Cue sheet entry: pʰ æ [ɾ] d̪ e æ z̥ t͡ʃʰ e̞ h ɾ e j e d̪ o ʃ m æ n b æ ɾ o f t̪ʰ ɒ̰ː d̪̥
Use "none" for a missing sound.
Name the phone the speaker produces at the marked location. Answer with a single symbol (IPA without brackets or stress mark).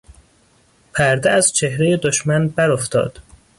ɾ